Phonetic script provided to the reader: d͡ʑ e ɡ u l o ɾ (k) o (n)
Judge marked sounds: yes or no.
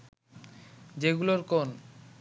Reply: yes, yes

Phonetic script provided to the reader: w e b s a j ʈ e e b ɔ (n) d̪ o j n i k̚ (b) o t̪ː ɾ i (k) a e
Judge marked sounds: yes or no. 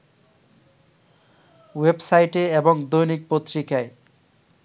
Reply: no, no, yes

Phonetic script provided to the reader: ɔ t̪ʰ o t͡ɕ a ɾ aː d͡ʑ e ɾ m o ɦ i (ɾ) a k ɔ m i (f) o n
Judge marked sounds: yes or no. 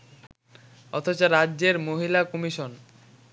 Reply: no, no

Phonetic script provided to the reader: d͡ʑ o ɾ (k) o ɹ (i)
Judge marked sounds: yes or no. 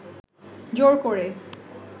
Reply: yes, no

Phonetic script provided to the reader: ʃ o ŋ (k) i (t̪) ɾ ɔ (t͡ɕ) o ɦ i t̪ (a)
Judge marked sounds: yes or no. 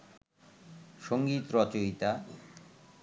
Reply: no, yes, yes, yes

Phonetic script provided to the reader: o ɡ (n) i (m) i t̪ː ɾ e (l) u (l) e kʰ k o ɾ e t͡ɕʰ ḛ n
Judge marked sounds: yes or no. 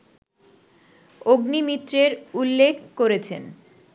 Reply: yes, yes, no, no

